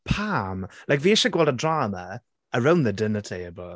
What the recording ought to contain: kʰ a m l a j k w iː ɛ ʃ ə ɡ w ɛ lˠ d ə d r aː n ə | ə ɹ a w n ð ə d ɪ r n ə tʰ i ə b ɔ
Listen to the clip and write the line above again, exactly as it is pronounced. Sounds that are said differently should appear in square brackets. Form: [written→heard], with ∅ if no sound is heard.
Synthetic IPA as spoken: [kʰ→pʰ] a m l a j k [w→v] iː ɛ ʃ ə ɡ w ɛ lˠ d ə d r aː [n→m] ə | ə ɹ a w n ð ə d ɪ [r→∅] n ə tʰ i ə b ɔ